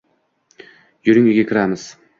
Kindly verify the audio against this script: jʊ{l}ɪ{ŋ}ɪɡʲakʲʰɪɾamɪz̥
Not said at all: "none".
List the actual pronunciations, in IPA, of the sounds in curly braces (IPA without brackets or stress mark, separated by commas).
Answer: ɾ, ŋ